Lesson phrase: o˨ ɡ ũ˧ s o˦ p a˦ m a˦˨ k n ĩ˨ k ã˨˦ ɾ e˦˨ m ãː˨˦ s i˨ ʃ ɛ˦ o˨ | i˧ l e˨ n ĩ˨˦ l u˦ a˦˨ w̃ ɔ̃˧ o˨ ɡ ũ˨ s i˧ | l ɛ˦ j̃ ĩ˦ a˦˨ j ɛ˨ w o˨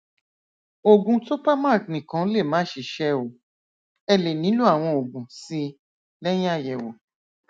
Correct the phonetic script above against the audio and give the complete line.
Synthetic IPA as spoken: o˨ ɡ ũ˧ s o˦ p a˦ m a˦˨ k n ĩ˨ k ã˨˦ l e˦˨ m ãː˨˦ ʃ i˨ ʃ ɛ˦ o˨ | ɛ˧ l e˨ n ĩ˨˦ l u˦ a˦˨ w̃ ɔ̃˧ o˨ ɡ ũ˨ s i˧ | l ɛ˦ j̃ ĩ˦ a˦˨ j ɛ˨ w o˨

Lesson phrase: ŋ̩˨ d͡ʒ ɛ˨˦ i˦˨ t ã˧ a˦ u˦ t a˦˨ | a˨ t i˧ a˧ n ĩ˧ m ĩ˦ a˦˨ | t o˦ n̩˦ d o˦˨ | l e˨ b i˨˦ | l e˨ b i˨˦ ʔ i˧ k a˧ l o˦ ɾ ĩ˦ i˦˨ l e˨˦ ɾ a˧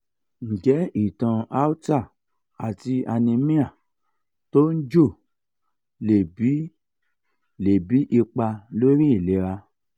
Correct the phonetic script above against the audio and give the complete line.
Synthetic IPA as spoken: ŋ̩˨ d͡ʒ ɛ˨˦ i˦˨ t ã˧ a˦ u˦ t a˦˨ | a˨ t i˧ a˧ n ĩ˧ m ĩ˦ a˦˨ | t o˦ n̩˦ d͡ʒ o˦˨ | l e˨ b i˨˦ | l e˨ b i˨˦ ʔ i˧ k͡p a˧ l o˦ ɾ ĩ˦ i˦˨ l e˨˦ ɾ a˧

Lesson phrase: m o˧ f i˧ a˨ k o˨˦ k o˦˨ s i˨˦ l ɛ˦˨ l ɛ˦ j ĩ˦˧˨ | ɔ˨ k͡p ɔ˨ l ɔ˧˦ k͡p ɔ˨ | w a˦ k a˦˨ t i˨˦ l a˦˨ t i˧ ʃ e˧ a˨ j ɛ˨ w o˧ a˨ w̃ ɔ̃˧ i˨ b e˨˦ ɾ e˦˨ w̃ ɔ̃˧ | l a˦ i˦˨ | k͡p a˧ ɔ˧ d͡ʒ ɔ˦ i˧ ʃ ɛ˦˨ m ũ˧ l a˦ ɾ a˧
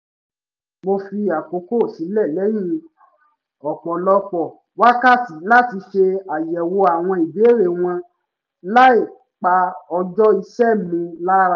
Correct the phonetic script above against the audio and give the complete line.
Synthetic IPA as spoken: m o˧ f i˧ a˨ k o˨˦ k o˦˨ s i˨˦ l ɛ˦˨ l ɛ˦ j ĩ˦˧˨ | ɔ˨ k͡p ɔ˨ l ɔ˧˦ k͡p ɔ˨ | w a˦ k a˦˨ t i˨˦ l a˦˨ t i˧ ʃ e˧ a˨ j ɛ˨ w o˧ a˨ w̃ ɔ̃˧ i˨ b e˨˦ ɾ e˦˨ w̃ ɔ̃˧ | l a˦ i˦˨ | k͡p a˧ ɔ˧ d͡ʒ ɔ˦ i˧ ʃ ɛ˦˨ m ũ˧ l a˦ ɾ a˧

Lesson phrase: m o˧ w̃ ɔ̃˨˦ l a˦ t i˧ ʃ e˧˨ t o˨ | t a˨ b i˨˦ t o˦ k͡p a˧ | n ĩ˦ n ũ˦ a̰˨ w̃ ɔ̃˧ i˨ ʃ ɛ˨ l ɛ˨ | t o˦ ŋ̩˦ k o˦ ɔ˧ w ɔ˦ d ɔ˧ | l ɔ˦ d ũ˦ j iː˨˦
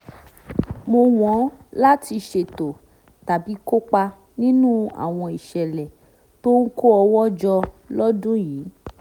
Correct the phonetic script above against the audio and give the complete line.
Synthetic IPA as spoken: m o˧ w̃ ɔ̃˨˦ l a˦ t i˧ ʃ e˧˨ t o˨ | t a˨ b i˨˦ k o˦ k͡p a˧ | n ĩ˦ n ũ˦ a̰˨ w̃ ɔ̃˧ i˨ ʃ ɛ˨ l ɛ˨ | t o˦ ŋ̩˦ k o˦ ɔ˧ w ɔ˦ d͡ʒ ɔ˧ | l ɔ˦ d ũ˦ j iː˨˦

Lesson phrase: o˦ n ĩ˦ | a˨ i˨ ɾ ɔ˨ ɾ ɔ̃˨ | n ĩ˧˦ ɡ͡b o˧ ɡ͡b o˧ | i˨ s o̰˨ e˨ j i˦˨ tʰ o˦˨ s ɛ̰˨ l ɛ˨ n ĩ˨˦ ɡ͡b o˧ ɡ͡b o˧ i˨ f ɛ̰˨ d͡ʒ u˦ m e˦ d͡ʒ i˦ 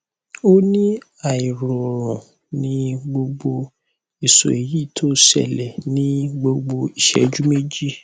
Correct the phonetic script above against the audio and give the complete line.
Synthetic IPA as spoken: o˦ n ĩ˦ | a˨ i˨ ɾ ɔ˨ ɾ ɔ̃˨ | n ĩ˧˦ ɡ͡b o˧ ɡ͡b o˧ | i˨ s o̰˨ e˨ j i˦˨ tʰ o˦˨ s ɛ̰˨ l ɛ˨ n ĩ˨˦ ɡ͡b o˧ ɡ͡b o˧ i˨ ʃ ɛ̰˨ d͡ʒ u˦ m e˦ d͡ʒ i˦

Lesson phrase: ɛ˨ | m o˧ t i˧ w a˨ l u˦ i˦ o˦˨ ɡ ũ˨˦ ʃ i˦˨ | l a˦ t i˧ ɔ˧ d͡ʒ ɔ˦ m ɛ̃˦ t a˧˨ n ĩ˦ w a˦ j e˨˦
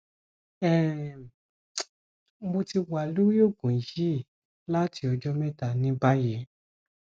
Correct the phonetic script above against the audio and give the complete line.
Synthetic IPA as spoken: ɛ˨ | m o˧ t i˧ w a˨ l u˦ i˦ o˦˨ ɡ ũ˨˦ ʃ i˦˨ | l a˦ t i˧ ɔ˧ d͡ʒ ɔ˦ m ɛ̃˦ t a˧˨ n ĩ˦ b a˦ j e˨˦

